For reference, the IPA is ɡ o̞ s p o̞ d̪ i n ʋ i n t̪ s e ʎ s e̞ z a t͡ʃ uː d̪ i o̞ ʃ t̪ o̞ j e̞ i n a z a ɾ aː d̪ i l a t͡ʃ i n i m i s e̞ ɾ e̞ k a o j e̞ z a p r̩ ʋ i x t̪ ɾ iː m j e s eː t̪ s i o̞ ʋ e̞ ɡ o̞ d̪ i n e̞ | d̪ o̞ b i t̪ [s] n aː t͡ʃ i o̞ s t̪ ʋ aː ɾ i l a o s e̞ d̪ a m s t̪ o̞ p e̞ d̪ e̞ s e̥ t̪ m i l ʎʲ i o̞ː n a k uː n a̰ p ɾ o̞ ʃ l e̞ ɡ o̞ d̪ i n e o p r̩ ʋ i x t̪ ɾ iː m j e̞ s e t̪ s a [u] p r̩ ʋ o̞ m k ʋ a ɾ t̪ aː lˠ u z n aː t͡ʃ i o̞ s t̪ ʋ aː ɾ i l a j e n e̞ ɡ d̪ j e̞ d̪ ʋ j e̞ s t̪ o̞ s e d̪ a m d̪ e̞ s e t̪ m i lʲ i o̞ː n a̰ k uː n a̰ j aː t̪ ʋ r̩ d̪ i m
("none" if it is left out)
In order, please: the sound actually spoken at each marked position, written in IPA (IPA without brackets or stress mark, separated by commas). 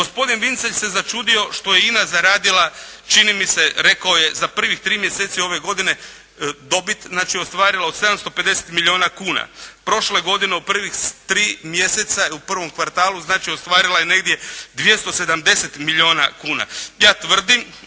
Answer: z, u